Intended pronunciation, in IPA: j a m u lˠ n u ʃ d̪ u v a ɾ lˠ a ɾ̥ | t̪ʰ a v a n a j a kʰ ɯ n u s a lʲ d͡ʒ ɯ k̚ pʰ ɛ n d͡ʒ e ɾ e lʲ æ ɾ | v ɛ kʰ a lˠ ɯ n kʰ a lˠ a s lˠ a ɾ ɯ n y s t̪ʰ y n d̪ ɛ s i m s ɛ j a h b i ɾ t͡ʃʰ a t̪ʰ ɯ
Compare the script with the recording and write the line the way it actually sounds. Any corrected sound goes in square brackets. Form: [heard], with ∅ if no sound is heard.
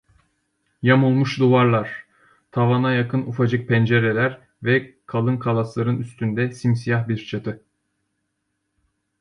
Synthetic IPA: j a m u lˠ [m] u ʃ d̪ u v a ɾ lˠ a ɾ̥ | t̪ʰ a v a n a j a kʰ ɯ n u [f] a [∅] d͡ʒ ɯ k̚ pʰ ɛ n d͡ʒ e ɾ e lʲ æ ɾ | v ɛ kʰ a lˠ ɯ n kʰ a lˠ a s lˠ a ɾ ɯ n y s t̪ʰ y n d̪ ɛ s i m s [i] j a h b i ɾ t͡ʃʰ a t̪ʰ ɯ